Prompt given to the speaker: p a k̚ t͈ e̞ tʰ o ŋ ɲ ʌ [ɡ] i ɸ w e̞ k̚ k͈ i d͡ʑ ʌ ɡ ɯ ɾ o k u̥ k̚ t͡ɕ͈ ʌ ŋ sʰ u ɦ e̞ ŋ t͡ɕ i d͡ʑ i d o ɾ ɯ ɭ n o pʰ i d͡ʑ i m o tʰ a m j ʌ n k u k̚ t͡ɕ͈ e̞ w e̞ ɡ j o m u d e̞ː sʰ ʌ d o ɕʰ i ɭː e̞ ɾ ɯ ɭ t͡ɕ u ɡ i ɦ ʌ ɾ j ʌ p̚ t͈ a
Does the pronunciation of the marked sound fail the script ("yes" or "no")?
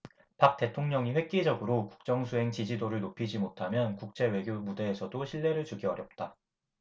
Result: yes